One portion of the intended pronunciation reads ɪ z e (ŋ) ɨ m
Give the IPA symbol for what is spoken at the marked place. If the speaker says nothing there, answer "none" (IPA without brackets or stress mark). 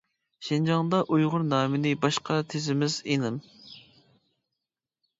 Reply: n